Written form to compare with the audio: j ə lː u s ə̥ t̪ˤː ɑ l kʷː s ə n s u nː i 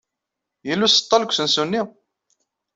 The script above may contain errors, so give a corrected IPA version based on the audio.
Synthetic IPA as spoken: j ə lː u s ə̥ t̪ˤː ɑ l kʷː s ə n s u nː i